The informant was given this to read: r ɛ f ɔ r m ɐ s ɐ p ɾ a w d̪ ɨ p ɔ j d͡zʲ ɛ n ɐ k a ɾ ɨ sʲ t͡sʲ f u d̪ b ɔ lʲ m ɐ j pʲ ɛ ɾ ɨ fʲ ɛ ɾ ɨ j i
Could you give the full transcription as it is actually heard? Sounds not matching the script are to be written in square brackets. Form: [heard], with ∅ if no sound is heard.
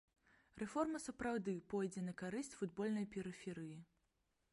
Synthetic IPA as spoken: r ɛ f ɔ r m ɐ s ɐ p ɾ a w d̪ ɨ p ɔ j d͡zʲ ɛ n ɐ k a ɾ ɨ sʲ t͡sʲ f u d̪ b ɔ lʲ [n] ɐ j pʲ ɛ ɾ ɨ fʲ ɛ ɾ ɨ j i